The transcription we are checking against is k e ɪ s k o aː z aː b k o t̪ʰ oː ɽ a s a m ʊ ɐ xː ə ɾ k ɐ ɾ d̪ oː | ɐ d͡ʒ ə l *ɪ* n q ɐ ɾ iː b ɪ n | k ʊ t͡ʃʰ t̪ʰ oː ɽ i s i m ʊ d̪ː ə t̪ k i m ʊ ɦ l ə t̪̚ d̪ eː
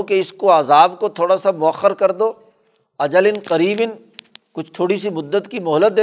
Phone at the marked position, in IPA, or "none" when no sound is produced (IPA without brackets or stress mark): ɪ